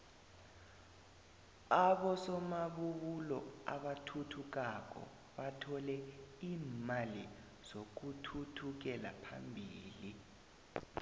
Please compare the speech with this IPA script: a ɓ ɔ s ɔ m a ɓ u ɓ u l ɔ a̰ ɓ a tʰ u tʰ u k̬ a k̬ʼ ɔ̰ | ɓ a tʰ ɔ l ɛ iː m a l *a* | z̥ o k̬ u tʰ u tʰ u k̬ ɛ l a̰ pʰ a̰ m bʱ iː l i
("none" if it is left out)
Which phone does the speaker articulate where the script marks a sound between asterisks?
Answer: i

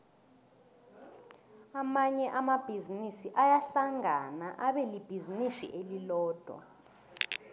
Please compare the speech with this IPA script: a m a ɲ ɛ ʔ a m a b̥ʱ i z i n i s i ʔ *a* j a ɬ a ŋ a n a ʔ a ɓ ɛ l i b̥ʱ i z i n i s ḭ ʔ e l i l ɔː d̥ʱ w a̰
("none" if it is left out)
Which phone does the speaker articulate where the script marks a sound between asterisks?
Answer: a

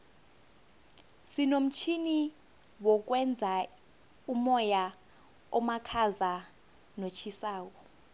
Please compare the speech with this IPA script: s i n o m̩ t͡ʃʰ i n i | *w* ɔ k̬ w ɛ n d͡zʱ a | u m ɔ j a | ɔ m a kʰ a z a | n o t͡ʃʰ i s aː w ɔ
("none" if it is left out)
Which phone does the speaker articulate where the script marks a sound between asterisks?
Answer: w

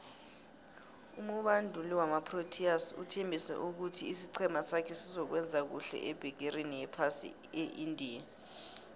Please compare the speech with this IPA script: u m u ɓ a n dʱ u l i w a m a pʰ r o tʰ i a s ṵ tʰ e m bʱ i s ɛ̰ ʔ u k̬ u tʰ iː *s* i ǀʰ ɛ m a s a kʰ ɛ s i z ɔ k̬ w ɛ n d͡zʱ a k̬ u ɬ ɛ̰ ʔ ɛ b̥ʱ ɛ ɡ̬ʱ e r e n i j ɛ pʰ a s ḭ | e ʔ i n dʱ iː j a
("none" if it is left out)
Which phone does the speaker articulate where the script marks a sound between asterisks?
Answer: s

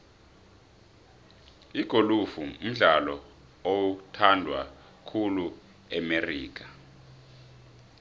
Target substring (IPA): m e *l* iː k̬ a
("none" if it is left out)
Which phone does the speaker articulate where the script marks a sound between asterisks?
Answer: r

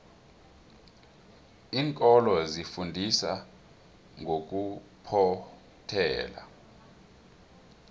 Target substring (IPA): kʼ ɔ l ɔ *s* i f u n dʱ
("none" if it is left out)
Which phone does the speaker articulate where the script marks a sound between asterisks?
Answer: z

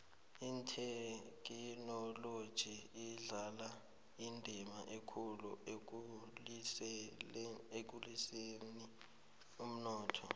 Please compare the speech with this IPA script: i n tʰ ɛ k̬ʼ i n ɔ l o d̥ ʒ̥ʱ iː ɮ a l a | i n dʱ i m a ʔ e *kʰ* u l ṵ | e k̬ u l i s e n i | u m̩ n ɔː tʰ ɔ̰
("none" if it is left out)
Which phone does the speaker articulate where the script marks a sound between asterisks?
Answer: kʰ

